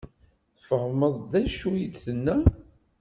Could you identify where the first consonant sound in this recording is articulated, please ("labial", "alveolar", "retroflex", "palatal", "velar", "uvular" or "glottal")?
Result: labial